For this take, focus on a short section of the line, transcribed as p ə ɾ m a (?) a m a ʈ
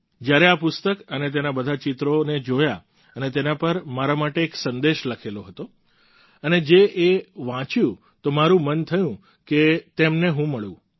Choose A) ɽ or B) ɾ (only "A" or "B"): B